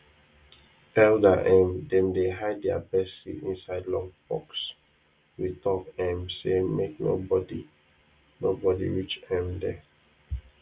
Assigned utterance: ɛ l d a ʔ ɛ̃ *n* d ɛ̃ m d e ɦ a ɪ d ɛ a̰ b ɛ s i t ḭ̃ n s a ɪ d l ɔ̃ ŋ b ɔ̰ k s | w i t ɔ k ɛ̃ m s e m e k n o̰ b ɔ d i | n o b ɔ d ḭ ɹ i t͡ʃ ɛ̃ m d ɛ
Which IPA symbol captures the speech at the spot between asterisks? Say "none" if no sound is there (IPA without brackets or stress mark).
m